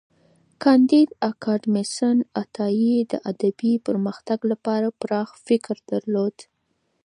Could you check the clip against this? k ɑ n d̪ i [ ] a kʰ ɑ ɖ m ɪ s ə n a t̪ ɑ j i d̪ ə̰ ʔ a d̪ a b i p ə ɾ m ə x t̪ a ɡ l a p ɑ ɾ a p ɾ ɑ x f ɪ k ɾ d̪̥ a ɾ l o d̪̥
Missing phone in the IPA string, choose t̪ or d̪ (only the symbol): d̪